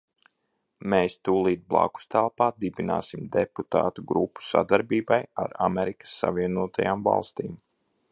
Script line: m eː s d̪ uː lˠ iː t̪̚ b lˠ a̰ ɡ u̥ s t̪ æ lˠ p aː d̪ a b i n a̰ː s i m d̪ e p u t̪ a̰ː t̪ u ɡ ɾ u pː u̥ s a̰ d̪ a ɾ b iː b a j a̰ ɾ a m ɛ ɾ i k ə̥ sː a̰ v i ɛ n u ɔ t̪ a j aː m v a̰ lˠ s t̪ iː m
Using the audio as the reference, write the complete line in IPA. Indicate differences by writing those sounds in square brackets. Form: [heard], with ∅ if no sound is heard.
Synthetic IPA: m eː s [t̪] uː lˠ iː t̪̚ b lˠ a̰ [k] u̥ s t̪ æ lˠ p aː d̪ [i] b i n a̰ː s i m d̪ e p u t̪ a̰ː t̪ u ɡ ɾ u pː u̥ s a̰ d̪ a ɾ b iː b a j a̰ ɾ a m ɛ ɾ i k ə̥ sː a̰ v i ɛ n u ɔ t̪ a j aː m v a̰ lˠ s t̪ iː m

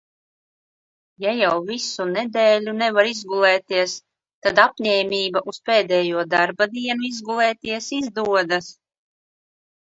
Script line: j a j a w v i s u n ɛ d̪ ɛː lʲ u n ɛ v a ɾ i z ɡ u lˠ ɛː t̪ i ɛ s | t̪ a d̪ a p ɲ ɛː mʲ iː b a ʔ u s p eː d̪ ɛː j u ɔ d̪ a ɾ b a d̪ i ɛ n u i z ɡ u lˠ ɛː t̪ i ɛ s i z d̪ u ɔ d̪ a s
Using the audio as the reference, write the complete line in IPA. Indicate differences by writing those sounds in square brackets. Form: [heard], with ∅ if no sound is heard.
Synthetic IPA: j a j a w v i s u n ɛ d̪ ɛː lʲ u n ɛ v a ɾ i z ɡ u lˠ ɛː t̪ i ɛ s | t̪ a d̪ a p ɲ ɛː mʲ iː b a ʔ u s p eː d̪ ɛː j u ɔ d̪ a ɾ b a d̪ i ɛ n u i z ɡ u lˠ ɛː t̪ i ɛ s i z d̪ u ɔ d̪ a s

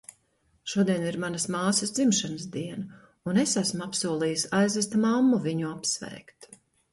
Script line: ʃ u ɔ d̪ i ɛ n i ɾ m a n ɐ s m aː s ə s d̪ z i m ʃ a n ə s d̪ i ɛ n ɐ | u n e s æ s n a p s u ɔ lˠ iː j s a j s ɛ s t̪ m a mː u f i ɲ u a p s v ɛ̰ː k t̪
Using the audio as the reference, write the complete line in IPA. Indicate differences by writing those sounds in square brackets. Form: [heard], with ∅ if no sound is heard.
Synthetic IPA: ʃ u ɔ d̪ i ɛ n i ɾ m a n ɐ s m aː s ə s d̪ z i m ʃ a n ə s d̪ i ɛ n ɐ | u n e s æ s [m] a p s u ɔ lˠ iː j s a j [z] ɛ s t̪ m a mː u [v] i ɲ u a p s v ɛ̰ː k t̪

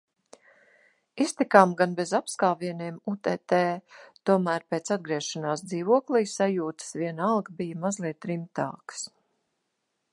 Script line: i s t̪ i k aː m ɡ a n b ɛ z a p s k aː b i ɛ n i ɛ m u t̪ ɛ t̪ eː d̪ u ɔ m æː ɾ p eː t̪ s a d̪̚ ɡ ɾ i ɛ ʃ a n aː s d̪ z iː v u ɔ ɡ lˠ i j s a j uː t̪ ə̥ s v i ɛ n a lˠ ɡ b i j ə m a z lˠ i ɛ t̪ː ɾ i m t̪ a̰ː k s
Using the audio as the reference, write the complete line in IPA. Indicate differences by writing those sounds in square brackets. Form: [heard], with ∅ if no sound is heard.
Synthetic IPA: i s t̪ i k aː m ɡ a n b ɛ z a p s k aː [v] i ɛ n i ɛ m u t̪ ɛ t̪ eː [t̪] u ɔ m æː ɾ p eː t̪ s a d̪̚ ɡ ɾ i ɛ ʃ a n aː s d̪ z iː v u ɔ [k] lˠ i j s a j uː t̪ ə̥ s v i ɛ n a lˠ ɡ b i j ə m a z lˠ i ɛ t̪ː ɾ i m t̪ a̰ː k s

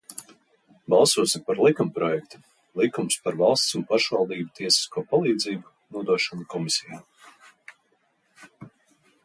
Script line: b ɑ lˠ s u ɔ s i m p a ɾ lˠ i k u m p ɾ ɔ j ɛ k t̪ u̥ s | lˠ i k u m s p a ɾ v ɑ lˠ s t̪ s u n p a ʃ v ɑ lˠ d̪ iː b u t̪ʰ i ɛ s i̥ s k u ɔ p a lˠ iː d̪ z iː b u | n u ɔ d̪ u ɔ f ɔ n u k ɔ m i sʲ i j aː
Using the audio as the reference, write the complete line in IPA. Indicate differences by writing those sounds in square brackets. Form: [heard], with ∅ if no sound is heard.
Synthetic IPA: b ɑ lˠ s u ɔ s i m p a ɾ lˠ i k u m p ɾ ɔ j ɛ k t̪ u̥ [∅] | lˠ i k u m s p a ɾ v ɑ lˠ s t̪ s u n p a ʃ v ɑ lˠ d̪ iː b u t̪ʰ i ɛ s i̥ s k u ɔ p a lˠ iː d̪ z iː b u | n u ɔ d̪ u ɔ [ʃ] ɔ n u k ɔ m i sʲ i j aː

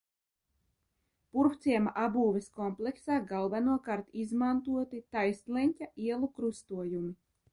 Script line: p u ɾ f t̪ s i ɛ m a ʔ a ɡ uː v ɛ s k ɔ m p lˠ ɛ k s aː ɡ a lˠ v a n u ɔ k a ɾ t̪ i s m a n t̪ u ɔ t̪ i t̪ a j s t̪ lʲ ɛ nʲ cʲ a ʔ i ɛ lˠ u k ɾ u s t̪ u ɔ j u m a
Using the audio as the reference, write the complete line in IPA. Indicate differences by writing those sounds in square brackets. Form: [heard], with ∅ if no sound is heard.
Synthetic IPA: p u ɾ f t̪ s i ɛ m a ʔ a [b] uː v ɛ s k ɔ m p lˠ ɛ k s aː ɡ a lˠ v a n u ɔ k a ɾ t̪ i [z] m a n t̪ u ɔ t̪ i t̪ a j s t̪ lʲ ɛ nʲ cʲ a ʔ i ɛ lˠ u k ɾ u s t̪ u ɔ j u m [i]

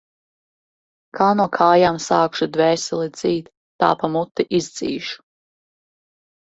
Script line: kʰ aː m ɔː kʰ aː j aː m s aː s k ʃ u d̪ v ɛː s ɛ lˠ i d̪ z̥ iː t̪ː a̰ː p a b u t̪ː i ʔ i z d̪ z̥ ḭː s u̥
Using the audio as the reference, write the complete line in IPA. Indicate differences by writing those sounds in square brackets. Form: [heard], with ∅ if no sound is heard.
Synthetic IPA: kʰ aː [n] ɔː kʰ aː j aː m s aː [∅] k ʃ u d̪ v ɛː s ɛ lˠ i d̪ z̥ iː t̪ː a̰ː p a [m] u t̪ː i ʔ i z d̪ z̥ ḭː [ʃ] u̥

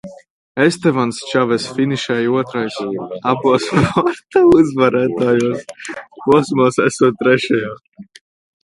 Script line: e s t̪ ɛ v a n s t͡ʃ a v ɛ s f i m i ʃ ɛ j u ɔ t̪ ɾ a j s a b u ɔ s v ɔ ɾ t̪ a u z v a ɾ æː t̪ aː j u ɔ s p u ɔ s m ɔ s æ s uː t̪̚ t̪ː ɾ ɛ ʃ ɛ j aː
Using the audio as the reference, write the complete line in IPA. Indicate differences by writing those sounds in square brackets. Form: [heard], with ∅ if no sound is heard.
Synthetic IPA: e s t̪ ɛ v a n s t͡ʃ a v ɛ s f i [n] i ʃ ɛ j u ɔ t̪ ɾ a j s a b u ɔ s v ɔ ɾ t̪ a u z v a ɾ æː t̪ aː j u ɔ s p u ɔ s m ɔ s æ s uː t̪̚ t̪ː ɾ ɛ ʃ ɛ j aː

